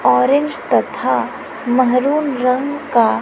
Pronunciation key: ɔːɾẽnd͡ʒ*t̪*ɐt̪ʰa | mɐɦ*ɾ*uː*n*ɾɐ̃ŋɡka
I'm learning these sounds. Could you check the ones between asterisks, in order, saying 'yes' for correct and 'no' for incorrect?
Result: yes, yes, yes

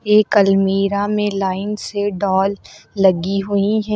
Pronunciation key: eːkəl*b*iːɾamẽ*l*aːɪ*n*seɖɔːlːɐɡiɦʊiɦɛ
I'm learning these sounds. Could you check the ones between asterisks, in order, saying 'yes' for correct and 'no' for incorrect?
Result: no, yes, yes

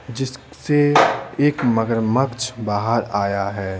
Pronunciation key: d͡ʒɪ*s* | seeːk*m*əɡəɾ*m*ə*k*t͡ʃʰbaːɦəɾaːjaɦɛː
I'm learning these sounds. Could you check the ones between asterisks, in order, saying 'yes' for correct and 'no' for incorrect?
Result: yes, yes, yes, yes

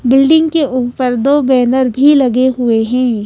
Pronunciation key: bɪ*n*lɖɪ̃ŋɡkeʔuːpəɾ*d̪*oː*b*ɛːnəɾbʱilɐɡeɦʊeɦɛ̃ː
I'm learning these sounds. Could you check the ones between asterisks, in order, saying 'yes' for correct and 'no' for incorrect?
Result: no, yes, yes

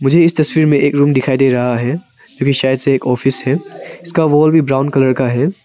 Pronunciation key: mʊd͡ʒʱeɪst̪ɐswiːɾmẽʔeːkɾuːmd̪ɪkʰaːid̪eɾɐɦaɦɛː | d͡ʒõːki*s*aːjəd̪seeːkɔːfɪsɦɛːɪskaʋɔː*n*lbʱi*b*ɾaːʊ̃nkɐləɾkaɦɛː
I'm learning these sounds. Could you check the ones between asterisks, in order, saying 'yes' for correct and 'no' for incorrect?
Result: no, no, yes

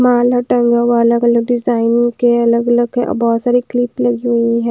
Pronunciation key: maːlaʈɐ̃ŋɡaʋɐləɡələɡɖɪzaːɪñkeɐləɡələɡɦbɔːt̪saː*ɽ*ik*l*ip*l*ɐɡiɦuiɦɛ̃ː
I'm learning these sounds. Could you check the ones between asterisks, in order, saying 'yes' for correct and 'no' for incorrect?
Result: no, yes, yes

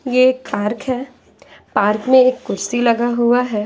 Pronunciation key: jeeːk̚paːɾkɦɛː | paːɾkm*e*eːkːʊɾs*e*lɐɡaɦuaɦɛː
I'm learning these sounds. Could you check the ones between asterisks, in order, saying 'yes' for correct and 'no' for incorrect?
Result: no, no

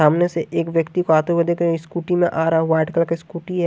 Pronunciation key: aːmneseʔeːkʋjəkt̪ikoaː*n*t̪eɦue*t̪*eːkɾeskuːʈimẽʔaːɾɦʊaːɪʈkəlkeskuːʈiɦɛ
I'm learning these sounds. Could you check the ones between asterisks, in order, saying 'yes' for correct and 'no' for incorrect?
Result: no, no

